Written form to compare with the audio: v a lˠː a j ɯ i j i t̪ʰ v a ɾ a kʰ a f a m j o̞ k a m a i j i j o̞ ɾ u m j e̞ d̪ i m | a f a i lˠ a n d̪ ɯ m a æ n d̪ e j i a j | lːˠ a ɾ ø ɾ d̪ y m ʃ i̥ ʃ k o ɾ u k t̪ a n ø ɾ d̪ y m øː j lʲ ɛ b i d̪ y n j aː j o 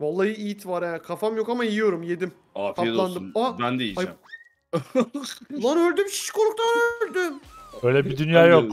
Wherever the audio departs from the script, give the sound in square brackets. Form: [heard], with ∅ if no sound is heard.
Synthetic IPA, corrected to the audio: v a lˠː a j ɯ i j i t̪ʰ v a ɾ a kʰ a f a m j o̞ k a m a i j i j o̞ ɾ u m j e̞ d̪ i m | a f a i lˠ a n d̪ ɯ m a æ n d̪ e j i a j | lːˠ a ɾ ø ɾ d̪ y m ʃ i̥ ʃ k o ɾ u k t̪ a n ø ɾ d̪ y m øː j lʲ ɛ b i d̪ y n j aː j o